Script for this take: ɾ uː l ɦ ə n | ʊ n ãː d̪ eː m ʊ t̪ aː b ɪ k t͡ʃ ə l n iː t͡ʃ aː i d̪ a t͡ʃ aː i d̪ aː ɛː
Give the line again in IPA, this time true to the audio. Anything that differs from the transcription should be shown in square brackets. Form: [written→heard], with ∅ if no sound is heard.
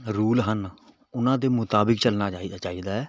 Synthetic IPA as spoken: ɾ uː l ɦ ə n | ʊ n ãː d̪ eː m ʊ t̪ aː b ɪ k t͡ʃ ə l n [iː→aː] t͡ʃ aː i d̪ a t͡ʃ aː i d̪ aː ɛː